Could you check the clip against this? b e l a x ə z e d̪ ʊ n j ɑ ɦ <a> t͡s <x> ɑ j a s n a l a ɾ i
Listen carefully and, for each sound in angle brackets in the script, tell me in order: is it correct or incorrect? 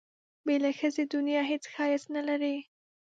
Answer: incorrect: e, correct

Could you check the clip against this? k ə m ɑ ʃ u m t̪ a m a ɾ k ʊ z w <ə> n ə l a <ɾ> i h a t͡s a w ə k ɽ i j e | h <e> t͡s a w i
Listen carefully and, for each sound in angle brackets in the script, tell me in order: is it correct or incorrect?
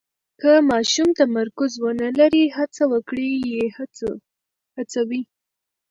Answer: correct, correct, incorrect: a

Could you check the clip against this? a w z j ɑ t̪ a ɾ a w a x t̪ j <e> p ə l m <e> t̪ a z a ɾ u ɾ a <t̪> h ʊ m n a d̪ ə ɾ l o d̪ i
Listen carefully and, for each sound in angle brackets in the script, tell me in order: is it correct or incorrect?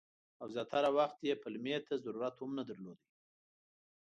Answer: correct, correct, correct

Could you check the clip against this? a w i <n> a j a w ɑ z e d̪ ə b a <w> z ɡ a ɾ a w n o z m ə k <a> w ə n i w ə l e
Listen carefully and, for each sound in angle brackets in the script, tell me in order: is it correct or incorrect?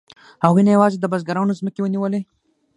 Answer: correct, incorrect: none, incorrect: e

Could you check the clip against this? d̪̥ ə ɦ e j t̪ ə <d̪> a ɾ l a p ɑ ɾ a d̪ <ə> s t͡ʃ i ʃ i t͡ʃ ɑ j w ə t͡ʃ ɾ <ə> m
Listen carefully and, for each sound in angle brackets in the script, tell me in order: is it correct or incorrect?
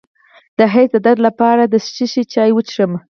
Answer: correct, correct, correct

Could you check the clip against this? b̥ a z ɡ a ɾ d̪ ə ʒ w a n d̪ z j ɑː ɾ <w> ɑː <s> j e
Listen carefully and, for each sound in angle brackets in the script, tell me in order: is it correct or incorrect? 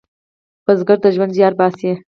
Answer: incorrect: b, correct

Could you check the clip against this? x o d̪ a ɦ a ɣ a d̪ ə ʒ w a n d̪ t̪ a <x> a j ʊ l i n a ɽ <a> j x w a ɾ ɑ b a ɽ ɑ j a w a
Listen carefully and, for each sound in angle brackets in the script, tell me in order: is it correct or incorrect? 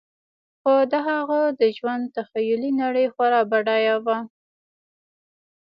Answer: correct, incorrect: ə

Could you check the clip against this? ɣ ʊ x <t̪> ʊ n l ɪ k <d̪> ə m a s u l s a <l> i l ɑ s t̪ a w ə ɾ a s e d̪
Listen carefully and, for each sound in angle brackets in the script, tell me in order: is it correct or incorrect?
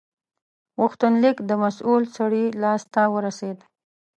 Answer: correct, correct, incorrect: ɽ

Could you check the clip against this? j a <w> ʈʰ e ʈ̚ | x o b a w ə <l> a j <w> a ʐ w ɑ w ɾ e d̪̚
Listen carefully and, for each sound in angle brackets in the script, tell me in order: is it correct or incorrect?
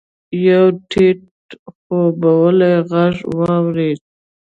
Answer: correct, correct, incorrect: ɣ

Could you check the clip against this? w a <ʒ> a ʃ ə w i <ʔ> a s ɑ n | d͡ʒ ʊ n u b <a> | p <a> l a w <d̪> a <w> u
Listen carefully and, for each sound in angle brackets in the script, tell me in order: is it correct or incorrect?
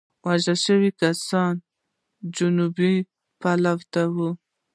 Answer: correct, incorrect: k, incorrect: i, correct, incorrect: t̪, correct

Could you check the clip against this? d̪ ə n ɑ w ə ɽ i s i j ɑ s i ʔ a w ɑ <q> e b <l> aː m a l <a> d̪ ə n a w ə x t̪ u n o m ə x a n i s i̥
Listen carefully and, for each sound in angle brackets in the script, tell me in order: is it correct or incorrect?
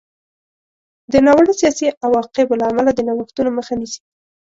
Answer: correct, correct, correct

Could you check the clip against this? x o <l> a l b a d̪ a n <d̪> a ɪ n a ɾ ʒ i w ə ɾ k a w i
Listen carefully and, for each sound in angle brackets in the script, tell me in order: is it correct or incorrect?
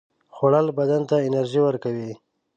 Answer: incorrect: ɽ, incorrect: t̪

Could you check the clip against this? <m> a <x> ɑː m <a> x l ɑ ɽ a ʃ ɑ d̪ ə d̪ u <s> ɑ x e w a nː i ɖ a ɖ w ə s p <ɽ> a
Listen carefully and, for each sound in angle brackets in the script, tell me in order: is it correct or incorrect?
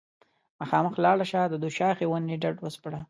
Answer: correct, correct, incorrect: ə, incorrect: ʃ, correct

